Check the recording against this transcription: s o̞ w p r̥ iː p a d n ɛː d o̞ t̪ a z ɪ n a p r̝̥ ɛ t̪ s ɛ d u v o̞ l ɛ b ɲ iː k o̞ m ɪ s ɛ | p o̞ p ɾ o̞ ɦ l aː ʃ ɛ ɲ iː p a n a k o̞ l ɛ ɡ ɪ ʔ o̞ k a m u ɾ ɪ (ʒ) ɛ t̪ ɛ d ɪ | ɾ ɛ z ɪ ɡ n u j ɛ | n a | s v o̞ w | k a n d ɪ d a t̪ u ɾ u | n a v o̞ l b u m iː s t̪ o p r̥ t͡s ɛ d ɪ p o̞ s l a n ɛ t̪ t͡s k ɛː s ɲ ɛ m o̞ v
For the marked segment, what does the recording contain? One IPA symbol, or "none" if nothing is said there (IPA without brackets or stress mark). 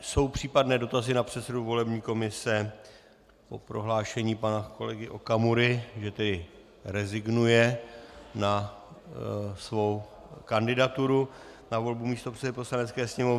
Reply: ʒ